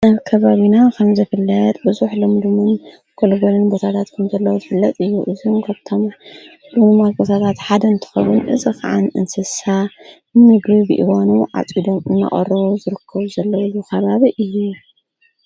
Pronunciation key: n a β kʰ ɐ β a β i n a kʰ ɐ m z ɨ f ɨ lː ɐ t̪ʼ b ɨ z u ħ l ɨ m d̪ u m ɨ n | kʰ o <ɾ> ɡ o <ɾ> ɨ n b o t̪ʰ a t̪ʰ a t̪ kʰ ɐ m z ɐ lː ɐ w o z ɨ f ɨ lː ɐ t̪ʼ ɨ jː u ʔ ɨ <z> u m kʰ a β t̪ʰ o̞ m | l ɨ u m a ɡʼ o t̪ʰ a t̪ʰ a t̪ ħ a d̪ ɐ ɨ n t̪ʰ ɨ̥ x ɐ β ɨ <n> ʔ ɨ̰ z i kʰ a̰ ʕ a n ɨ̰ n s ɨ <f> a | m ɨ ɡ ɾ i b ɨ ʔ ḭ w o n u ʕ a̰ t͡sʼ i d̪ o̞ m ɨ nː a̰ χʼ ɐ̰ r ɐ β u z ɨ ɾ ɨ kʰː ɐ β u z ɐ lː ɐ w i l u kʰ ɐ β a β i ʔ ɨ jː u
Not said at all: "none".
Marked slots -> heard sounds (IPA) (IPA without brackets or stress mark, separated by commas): l, l, z, n, s